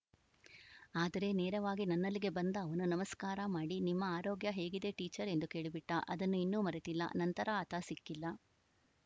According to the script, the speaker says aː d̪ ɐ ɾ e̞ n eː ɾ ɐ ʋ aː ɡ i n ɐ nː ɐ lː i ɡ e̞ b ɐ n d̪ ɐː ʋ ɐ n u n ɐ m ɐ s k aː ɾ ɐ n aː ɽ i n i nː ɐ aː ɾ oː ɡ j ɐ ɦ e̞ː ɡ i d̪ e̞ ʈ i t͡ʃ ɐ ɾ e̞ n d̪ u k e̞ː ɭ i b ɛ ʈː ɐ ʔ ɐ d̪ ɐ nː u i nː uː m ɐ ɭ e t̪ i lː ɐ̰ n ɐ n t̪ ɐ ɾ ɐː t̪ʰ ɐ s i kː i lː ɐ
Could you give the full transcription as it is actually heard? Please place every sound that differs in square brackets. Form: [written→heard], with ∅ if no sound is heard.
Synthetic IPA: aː d̪ ɐ ɾ e̞ n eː ɾ ɐ ʋ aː ɡ i n ɐ nː ɐ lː i ɡ e̞ b ɐ n d̪ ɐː ʋ ɐ n u n ɐ m ɐ s k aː ɾ ɐ [n→m] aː ɽ i n i [nː→mː] ɐ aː ɾ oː ɡ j ɐ ɦ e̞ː ɡ i d̪ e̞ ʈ [i→iː] t͡ʃ ɐ ɾ e̞ n d̪ u k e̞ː ɭ i b [ɛ→i] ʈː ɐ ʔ ɐ d̪ ɐ nː u i nː uː m ɐ [ɭ→ɾ] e t̪ i lː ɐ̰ n ɐ n t̪ ɐ ɾ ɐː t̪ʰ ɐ s i kː i lː ɐ